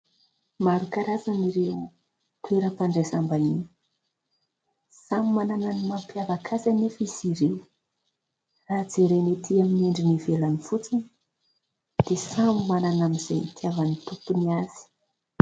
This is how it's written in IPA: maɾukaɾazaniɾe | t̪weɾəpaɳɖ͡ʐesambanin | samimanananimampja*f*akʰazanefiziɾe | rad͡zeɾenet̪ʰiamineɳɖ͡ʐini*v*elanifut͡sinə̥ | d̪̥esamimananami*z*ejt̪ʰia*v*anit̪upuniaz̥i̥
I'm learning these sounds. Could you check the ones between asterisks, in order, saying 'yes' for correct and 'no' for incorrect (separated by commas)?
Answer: no, yes, yes, yes